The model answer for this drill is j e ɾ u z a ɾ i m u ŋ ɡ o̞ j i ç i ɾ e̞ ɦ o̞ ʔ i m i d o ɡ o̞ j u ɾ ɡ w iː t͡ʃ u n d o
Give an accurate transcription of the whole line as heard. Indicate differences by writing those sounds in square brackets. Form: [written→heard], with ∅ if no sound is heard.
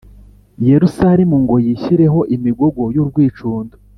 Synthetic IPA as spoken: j e ɾ u [z→s] a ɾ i m u ŋ ɡ o̞ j i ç i ɾ e̞ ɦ o̞ ʔ i m i [d→ɡ] o ɡ o̞ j u ɾ ɡ w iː t͡ʃ [u→uː] n d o